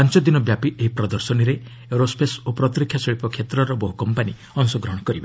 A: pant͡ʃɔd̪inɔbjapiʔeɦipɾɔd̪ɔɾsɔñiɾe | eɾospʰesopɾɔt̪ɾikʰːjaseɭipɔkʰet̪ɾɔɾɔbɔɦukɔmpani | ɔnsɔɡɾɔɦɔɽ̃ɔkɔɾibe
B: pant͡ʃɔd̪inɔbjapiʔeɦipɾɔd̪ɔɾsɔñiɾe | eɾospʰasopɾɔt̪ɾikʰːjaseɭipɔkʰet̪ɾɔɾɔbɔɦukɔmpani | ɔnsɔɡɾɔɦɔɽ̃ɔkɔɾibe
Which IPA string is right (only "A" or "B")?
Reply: A